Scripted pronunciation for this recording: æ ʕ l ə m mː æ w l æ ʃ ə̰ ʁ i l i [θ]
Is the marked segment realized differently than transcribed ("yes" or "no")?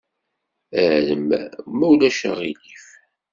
yes